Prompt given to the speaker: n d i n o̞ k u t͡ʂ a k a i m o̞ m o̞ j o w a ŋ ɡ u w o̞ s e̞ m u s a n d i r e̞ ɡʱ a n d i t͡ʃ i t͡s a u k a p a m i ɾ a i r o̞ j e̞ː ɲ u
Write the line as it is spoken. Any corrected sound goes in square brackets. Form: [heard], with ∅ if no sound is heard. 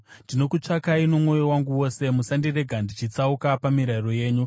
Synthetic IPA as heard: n d i n o̞ k u t͡ʂ a k a i [n] o̞ m o̞ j o w a ŋ ɡ u w o̞ s e̞ m u s a n d i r e̞ ɡʱ a n d i t͡ʃ i t͡s a u k a p a m i ɾ a i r o̞ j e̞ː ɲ u